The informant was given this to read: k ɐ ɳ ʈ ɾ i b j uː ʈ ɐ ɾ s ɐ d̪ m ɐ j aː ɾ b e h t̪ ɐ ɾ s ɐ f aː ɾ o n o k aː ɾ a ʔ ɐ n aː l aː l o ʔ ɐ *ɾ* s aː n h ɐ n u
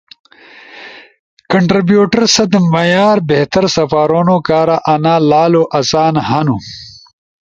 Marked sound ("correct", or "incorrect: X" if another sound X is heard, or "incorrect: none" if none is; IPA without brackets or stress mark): incorrect: none